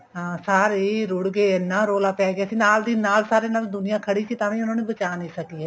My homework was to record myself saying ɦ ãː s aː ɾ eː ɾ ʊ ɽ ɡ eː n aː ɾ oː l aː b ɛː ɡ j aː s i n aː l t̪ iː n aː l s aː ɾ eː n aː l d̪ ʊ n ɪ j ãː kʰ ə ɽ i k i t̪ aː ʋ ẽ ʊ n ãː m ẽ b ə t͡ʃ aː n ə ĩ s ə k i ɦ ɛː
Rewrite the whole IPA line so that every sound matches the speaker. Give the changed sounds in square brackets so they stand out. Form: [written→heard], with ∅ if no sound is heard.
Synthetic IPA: ɦ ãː s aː ɾ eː ɾ ʊ ɽ ɡ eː n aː ɾ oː l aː [b→p] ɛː ɡ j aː s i n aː l [t̪→d̪] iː n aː l s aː ɾ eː n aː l d̪ ʊ n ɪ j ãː kʰ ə ɽ i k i t̪ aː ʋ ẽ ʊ n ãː [m→n] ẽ b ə t͡ʃ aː n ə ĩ s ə k i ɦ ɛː